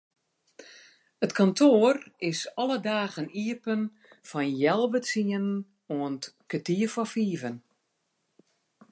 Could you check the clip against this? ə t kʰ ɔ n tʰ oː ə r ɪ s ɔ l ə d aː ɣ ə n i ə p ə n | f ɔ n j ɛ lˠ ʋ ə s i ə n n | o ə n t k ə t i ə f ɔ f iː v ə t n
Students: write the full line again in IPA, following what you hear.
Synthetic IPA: ə t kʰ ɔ n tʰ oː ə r ɪ s ɔ l ə d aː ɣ ə n i ə p ə n | f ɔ n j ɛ lˠ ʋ ə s i ə n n | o ə n t k ə t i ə f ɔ f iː v ə n